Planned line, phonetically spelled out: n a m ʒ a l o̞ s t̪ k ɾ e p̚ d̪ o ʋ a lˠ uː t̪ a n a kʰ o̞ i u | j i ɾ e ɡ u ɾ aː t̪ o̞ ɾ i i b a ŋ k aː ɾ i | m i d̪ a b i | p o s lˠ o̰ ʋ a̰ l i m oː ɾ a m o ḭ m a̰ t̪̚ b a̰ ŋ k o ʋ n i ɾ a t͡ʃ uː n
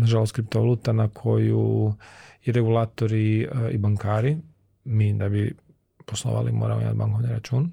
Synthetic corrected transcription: n a ʒ a l o̞ s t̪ k ɾ i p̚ t̪ o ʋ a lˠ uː t̪ a n a kʰ o̞ j u | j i ɾ e ɡ u l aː t̪ o̞ ɾ i i b a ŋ k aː ɾ i | m i d̪ a b i | p o s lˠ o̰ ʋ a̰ l i m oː ɾ a m o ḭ m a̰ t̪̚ b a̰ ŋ k o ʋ n i ɾ a t͡ʃ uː n